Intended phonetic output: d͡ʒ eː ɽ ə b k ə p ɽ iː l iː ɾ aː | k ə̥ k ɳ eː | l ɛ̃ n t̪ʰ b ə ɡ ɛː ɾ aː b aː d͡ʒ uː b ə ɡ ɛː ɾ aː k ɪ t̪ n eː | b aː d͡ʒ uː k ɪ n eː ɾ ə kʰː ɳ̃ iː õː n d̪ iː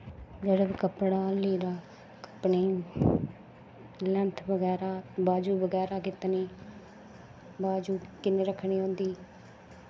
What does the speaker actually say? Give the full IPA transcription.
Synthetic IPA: d͡ʒ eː ɽ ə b k ə p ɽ aː l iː ɾ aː | k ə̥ p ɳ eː | l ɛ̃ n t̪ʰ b ə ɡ ɛː ɾ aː b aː d͡ʒ uː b ə ɡ ɛː ɾ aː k ɪ t̪ n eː | b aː d͡ʒ uː k ɪ n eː ɾ ə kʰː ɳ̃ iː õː n d̪ iː